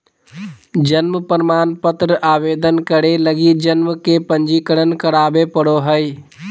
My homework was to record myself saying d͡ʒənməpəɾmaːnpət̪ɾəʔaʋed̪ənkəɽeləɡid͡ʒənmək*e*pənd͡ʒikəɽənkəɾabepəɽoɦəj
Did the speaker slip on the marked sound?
no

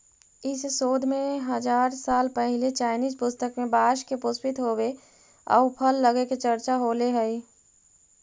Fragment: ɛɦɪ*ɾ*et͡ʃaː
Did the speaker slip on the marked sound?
yes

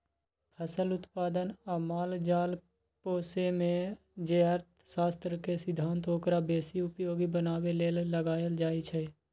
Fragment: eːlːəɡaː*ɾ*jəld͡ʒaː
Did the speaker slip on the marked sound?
yes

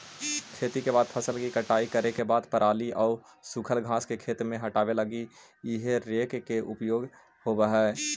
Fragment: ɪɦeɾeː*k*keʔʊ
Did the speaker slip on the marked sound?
no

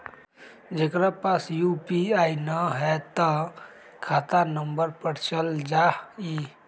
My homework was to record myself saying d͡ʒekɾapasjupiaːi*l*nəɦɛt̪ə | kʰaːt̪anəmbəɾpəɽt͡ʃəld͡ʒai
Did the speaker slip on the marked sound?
yes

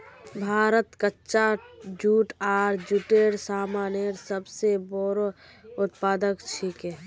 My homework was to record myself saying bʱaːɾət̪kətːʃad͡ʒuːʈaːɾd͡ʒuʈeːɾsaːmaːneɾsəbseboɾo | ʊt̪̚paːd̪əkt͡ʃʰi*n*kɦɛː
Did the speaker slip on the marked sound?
yes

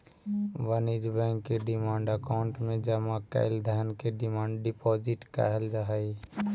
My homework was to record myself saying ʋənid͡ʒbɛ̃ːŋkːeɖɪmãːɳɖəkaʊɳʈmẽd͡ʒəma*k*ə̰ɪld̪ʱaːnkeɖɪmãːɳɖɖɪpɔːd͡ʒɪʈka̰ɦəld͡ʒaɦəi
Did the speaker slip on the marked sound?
no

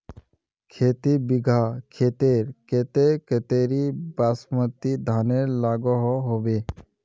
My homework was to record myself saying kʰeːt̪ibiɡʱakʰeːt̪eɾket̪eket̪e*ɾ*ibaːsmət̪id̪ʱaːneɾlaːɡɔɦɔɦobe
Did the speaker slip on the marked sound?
no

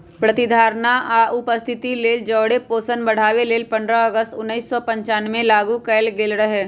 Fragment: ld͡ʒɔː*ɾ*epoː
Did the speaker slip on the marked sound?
yes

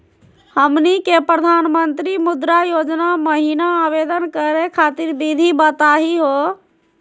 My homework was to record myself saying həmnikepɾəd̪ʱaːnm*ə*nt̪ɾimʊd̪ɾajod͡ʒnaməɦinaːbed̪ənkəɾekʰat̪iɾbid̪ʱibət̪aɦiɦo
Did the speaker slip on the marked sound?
no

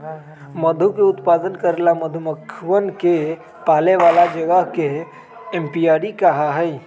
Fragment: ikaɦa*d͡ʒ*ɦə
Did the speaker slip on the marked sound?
yes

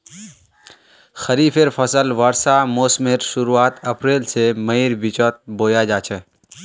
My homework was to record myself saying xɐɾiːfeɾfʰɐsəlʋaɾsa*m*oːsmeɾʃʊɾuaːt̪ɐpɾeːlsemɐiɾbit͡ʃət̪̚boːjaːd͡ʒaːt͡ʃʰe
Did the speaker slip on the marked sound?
no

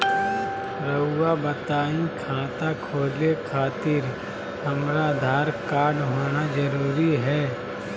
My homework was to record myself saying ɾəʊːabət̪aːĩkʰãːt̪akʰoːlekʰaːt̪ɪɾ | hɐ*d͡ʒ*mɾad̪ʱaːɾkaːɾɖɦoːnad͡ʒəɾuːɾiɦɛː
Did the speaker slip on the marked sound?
yes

